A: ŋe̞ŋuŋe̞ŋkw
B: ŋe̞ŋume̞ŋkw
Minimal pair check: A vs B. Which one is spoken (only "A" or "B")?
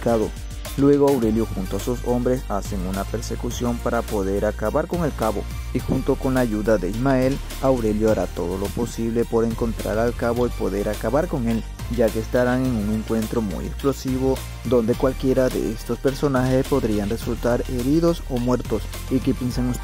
A